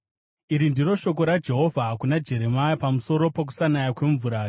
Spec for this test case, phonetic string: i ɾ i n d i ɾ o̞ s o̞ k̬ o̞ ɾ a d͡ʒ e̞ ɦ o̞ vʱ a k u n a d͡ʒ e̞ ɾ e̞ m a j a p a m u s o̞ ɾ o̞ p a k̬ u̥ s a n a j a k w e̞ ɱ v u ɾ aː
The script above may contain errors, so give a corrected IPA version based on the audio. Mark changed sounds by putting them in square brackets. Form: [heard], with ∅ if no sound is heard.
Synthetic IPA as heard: i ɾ i n d i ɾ o̞ [ʃ] o̞ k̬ o̞ ɾ a d͡ʒ e̞ ɦ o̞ vʱ a k u n a d͡ʒ e̞ ɾ e̞ m a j a p a m u s o̞ ɾ o̞ p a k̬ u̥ s a n a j a k w e̞ ɱ v u ɾ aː